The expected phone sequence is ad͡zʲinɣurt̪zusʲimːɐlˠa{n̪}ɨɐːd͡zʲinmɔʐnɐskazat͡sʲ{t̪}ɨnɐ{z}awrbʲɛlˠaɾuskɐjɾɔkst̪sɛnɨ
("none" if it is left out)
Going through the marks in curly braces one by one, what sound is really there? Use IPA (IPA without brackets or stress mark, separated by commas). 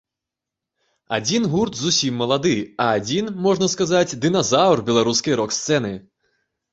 d̪, d̪, z